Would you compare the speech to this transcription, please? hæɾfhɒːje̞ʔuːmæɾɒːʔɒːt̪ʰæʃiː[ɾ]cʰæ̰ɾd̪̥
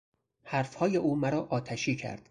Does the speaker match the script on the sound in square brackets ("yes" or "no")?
no